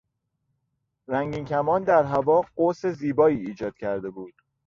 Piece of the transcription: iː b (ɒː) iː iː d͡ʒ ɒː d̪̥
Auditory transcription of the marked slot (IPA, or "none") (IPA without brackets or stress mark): ɒː